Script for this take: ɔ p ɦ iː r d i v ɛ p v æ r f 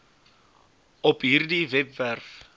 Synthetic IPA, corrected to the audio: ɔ p ɦ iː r d i v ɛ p v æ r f